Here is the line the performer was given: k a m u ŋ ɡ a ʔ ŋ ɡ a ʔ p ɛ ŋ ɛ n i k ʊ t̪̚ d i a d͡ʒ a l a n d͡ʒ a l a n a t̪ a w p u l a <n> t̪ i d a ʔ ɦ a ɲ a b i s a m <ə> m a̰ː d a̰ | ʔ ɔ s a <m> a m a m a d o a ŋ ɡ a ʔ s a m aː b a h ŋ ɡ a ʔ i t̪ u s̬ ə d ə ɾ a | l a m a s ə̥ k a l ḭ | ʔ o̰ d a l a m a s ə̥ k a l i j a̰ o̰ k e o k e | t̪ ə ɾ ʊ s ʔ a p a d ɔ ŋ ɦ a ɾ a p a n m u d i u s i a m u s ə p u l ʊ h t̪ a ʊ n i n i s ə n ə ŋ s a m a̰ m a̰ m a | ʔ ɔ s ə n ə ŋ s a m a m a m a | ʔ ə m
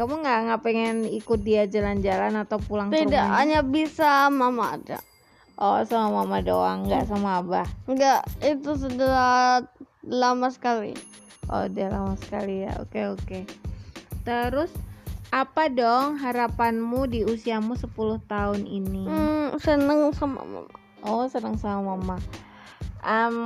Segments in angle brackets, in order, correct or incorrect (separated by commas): incorrect, incorrect, correct